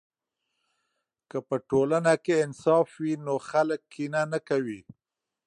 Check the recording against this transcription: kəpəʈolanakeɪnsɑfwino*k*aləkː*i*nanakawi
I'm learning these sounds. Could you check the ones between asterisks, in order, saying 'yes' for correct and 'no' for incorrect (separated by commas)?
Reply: no, yes